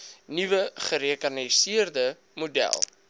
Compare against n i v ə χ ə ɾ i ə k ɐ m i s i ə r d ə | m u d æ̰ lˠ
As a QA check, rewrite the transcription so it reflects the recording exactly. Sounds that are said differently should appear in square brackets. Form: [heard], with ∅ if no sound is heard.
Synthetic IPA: n i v ə χ ə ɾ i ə k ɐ [n] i s i ə r d ə | m u d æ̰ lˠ